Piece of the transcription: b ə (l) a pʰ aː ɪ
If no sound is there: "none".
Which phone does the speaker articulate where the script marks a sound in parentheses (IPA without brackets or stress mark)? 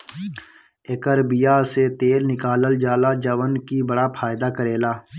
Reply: ɽ